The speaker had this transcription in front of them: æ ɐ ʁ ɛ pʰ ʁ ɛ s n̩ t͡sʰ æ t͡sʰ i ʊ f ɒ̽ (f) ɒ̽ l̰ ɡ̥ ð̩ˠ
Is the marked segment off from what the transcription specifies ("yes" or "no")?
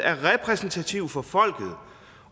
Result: no